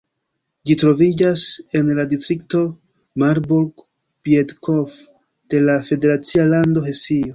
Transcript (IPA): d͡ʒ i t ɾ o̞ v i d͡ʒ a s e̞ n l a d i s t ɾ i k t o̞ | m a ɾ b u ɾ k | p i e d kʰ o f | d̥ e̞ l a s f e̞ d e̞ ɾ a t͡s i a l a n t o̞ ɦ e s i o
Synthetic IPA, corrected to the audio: d͡ʒ i t ɾ o̞ v i d͡ʒ a s e̞ n l a d i s t ɾ i k t o̞ | m a ɾ b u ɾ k | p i e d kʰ o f | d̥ e̞ l a f e̞ d e̞ ɾ a t͡s i a l a n d o̞ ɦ e s i o